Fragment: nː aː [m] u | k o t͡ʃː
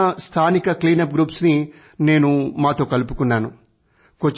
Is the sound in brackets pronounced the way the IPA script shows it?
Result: no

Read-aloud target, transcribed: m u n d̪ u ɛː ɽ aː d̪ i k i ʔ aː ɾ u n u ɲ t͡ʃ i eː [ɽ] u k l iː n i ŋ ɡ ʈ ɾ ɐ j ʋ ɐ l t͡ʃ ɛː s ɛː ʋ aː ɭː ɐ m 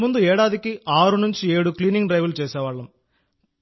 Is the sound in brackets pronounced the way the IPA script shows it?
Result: yes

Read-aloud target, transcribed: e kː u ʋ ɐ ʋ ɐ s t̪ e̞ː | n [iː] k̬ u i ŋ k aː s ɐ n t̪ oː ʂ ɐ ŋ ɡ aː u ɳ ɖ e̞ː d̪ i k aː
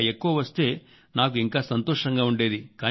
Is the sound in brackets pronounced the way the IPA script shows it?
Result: no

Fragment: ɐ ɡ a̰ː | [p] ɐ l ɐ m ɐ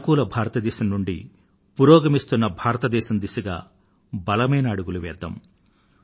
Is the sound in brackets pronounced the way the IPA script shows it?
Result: no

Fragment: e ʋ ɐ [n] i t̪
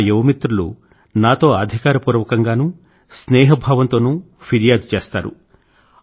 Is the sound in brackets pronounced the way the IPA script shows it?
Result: no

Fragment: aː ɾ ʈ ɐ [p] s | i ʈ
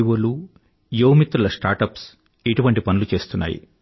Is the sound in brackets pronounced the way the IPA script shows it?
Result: yes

